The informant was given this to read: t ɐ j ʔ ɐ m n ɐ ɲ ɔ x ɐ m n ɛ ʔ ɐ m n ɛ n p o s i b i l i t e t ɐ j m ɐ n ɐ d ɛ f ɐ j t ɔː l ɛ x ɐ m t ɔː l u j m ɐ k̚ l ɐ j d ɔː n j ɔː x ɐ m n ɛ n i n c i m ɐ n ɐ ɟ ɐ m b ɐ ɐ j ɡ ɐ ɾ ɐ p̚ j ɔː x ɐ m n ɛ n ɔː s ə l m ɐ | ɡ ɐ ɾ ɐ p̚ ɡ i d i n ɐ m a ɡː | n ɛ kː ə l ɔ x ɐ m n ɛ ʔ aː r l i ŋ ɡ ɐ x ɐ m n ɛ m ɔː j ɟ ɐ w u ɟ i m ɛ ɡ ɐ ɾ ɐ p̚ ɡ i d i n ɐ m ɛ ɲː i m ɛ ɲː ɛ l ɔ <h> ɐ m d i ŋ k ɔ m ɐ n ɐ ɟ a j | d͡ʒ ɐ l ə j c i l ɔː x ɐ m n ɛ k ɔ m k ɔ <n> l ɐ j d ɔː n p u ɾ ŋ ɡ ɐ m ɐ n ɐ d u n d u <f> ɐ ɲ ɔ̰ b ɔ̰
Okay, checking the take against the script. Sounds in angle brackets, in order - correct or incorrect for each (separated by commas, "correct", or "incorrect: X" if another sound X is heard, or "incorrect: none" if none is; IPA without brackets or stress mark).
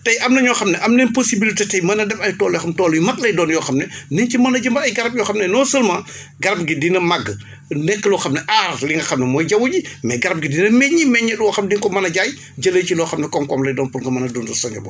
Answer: incorrect: x, incorrect: m, incorrect: s